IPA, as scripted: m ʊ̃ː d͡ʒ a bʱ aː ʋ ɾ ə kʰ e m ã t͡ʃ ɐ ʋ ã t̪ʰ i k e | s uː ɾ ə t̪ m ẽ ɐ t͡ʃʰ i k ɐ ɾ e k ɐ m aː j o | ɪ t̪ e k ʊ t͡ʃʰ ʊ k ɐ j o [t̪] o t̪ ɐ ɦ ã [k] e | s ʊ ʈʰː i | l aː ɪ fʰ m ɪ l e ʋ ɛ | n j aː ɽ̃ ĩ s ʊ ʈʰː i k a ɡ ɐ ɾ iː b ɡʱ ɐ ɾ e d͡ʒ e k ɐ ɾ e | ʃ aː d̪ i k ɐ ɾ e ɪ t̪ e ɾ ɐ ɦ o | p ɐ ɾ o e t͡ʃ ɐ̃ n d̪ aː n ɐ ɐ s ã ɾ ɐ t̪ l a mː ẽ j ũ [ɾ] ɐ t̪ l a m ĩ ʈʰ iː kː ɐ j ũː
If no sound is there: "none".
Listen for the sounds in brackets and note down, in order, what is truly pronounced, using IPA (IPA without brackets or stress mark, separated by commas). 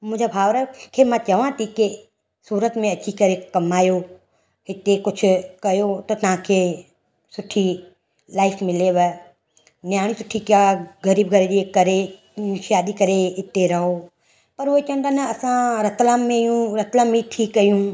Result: t̪, kʰ, ɾ